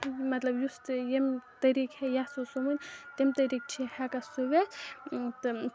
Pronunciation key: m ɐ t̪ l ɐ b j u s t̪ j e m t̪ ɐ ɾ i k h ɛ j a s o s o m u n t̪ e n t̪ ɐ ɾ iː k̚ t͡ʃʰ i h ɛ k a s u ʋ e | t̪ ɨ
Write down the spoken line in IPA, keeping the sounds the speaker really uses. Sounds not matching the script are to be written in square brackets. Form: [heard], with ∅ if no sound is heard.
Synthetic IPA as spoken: m ɐ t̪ l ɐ b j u s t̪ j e m t̪ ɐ ɾ i k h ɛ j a s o s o m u n t̪ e [m] t̪ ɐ ɾ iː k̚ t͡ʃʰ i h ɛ k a s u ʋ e | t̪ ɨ

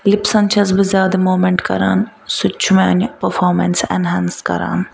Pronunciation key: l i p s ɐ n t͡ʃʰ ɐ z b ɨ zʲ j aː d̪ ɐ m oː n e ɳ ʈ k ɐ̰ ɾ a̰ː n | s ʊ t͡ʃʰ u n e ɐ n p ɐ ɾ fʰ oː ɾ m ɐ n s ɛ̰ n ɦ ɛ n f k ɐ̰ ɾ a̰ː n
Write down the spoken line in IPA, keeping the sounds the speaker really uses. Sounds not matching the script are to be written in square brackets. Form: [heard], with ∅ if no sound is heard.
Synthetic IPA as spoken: l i p s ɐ n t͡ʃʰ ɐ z b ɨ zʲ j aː d̪ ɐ m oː [m] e ɳ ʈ k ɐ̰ ɾ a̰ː n | s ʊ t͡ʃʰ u [m] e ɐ n p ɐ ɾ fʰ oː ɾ m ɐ n s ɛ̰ n ɦ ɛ n [s] k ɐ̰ ɾ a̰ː n

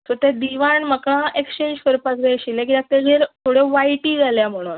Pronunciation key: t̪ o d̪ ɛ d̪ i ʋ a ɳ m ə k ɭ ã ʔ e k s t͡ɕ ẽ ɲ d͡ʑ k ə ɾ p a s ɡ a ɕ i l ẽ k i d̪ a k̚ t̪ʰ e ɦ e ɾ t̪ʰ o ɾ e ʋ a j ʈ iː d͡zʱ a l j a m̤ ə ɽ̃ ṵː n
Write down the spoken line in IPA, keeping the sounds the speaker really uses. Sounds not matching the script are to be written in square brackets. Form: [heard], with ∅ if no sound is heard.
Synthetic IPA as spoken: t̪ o [t̪] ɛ d̪ i ʋ a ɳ m ə k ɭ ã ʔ e k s t͡ɕ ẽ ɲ d͡ʑ k ə ɾ p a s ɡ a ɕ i l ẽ k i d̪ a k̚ [t̪] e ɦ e ɾ t̪ʰ o [ɽ] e ʋ a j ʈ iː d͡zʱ a l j a m̤ ə ɽ̃ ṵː n

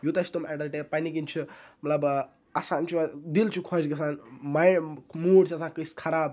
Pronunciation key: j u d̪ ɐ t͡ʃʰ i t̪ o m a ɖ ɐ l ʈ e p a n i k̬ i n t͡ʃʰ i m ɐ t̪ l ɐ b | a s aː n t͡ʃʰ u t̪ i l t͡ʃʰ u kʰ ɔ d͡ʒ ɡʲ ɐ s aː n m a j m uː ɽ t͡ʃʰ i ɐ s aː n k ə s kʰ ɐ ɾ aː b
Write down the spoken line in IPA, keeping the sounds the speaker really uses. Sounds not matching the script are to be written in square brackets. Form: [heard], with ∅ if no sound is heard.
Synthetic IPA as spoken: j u [t̪] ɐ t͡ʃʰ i t̪ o m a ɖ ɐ l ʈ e p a n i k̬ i n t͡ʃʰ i m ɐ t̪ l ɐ b | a s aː n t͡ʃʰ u [d̪] i l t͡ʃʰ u kʰ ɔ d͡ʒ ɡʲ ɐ s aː n m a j m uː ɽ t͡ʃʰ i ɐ s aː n k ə s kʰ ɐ ɾ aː b

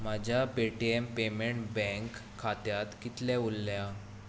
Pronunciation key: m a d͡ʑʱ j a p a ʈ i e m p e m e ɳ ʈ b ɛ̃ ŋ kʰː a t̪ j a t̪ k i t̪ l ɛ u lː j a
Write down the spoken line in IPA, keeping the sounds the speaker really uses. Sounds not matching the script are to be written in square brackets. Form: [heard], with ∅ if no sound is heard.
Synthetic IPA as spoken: m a d͡ʑʱ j a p [e] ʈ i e m p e m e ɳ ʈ b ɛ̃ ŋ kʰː a t̪ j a t̪ k i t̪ l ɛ u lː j a

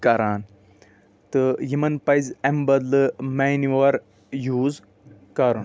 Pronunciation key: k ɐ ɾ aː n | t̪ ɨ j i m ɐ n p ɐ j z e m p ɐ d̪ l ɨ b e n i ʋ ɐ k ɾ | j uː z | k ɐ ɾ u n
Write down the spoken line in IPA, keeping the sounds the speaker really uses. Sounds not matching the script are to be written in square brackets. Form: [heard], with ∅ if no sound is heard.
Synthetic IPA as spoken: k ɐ ɾ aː n | t̪ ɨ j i m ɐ n p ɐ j z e m [b] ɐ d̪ l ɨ [m] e n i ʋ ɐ [∅] ɾ | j uː z | k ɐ ɾ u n

